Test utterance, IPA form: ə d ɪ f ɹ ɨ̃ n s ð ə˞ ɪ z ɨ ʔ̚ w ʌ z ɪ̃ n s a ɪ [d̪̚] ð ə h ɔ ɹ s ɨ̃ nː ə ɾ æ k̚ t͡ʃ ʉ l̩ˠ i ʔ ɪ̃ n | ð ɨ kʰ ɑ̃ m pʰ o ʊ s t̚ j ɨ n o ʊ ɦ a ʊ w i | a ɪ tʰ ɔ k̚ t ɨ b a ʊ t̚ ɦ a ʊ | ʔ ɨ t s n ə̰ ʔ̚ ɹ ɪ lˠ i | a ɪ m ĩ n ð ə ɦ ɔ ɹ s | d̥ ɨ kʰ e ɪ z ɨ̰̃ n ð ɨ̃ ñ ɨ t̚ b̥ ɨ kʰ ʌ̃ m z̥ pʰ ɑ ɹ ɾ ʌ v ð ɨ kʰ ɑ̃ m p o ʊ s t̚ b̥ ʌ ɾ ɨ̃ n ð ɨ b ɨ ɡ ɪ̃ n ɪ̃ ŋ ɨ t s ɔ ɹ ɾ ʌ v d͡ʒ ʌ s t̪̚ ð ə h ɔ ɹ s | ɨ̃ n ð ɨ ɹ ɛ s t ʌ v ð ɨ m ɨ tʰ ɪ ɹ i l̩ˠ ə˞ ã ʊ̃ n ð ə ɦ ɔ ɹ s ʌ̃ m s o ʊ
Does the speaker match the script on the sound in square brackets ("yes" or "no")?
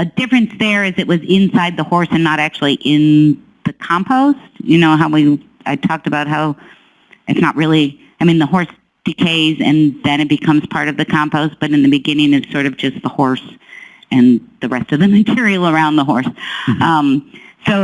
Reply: yes